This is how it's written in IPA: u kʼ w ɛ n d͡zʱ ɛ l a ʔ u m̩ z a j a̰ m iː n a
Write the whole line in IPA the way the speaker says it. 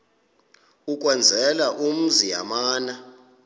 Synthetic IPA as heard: u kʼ w ɛ n d͡zʱ ɛ l a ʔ u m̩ z i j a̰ m aː n a